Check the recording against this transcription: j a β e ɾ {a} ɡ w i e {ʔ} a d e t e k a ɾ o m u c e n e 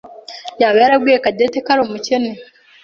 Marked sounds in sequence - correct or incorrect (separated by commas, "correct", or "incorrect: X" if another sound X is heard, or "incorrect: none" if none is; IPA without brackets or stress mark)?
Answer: correct, incorrect: k